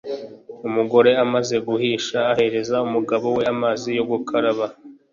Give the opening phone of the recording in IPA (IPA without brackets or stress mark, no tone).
u